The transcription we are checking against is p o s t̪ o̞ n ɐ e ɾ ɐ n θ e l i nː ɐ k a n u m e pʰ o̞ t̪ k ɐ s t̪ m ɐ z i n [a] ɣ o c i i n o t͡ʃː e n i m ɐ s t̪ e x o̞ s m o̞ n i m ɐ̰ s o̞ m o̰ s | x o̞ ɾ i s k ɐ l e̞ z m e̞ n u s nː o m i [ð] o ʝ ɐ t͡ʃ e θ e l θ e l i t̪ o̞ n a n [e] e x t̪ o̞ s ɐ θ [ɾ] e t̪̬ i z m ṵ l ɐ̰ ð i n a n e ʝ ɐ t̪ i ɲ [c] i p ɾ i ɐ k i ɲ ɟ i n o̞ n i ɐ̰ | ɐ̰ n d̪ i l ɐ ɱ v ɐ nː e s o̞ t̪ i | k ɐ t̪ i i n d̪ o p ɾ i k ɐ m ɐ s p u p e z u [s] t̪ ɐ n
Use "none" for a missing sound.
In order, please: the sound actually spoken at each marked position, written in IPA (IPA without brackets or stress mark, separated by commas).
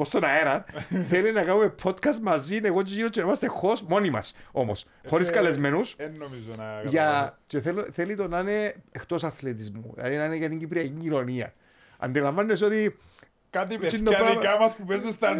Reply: e, z, e, l, ɟ, s